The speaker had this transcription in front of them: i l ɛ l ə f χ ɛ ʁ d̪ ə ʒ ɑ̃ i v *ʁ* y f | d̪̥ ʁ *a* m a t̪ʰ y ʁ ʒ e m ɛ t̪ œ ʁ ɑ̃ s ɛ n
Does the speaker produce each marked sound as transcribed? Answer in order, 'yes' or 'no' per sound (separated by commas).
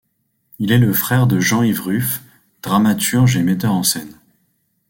yes, yes